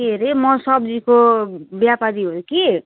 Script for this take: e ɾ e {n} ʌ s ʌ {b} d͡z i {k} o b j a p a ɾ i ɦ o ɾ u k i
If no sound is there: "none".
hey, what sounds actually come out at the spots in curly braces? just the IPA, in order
m, b, k

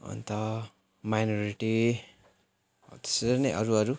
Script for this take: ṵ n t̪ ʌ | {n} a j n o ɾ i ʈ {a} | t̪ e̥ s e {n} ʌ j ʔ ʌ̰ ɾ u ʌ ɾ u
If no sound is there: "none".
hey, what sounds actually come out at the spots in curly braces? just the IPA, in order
m, i, n

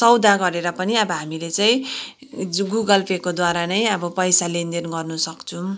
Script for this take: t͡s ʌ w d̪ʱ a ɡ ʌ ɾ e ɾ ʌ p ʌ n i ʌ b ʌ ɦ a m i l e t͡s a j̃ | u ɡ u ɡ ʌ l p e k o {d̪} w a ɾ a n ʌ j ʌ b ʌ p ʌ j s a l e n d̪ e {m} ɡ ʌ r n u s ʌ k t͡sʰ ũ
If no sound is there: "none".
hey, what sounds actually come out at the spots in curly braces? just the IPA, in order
d̪, n

